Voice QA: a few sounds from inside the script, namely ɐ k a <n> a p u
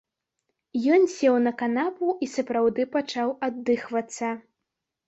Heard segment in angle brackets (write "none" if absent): n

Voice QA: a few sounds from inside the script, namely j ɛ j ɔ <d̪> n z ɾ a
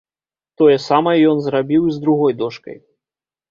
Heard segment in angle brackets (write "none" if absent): none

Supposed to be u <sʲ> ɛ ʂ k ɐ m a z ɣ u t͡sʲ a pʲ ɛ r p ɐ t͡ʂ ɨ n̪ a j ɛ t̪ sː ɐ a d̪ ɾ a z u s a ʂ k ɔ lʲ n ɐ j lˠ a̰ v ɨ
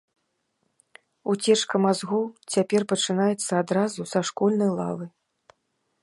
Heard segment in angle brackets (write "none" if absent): t͡sʲ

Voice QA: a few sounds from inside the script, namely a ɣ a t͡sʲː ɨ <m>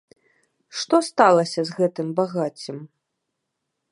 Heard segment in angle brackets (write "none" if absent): m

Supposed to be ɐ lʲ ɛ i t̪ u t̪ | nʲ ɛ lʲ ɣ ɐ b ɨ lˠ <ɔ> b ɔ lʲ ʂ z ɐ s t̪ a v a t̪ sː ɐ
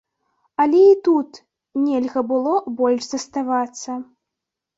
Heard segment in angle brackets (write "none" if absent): ɔ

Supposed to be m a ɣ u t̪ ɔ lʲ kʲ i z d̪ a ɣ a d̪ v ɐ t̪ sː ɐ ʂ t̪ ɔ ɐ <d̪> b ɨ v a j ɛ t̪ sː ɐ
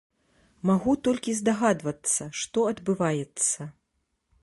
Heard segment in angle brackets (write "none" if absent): d̪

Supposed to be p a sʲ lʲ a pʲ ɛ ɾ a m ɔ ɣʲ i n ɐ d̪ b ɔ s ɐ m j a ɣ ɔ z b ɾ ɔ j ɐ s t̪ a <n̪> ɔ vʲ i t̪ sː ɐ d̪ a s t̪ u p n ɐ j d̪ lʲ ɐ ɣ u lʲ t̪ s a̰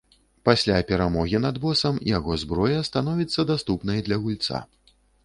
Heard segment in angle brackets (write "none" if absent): n̪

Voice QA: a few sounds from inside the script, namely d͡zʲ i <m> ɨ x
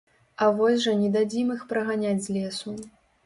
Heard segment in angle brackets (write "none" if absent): m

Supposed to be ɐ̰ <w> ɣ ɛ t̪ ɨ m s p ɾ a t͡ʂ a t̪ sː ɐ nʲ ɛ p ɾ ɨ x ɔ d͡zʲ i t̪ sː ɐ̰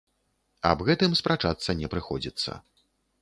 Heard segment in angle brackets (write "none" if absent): b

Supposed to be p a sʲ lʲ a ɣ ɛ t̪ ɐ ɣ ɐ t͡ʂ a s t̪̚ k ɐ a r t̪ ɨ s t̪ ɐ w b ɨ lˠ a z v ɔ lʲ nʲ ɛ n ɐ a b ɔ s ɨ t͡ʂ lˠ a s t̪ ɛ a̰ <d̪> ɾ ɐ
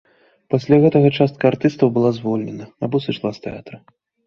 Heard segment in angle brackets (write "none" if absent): t̪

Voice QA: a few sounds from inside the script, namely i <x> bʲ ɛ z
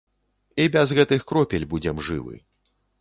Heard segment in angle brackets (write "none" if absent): none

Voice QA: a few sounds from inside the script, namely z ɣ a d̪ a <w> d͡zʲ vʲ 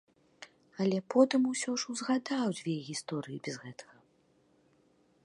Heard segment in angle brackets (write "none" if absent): w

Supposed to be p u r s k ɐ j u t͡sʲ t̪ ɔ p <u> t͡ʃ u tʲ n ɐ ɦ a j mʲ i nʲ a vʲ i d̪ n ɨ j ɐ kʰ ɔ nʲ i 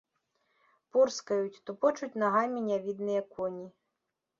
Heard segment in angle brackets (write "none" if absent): ɔ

